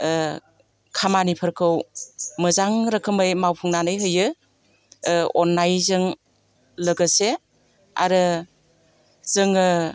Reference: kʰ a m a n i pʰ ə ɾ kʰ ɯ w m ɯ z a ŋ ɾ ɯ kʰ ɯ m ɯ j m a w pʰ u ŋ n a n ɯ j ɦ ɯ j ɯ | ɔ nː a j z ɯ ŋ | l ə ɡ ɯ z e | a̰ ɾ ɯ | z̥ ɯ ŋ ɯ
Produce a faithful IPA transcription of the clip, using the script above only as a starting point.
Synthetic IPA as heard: kʰ a m a n i pʰ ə ɾ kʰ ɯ w m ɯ z a ŋ ɾ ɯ kʰ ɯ m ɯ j m a w pʰ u ŋ n a n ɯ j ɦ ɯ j ɯ | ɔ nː a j z ɯ ŋ | l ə ɡ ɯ s e | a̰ ɾ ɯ | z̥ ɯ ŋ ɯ